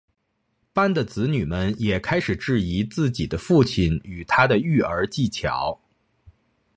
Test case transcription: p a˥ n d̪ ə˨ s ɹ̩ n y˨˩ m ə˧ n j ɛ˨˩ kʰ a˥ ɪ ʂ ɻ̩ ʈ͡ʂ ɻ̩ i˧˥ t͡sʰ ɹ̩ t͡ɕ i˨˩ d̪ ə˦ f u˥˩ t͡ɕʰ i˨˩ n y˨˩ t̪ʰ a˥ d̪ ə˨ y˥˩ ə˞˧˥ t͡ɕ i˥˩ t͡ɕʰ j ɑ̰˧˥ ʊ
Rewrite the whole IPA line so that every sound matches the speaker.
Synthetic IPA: p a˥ n d̪ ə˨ t͡s ɹ̩ n y˨˩ m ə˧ n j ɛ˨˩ kʰ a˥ ɪ ʂ ɻ̩ ʈ͡ʂ ɻ̩ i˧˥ t͡s ɹ̩ t͡ɕ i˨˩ d̪ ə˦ f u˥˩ t͡ɕʰ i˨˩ n y˨˩ t̪ʰ a˥ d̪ ə˨ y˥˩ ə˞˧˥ t͡ɕ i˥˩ t͡ɕʰ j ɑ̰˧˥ ʊ